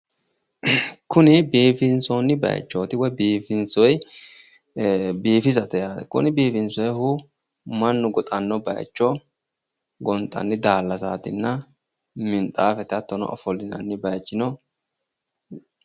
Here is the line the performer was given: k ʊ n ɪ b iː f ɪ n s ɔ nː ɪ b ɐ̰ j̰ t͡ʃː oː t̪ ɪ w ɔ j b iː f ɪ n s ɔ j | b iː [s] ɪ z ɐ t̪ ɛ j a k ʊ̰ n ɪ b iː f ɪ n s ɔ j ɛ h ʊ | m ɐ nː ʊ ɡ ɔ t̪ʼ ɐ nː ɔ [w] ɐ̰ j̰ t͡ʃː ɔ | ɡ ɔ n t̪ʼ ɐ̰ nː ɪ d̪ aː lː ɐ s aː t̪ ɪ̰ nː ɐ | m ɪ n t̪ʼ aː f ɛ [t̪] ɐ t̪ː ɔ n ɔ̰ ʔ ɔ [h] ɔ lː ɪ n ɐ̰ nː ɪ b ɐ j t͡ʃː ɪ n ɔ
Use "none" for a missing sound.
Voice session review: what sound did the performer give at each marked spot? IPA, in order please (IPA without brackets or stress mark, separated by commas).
f, b, t̪, f